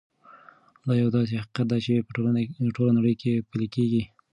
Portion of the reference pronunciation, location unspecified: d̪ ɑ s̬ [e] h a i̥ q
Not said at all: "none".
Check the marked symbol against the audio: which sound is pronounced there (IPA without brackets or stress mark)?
e